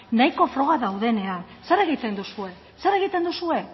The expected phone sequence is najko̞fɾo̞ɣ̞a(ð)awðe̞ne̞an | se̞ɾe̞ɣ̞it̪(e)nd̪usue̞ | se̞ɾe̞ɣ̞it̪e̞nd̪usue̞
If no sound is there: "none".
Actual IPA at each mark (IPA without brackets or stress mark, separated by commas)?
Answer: ð, e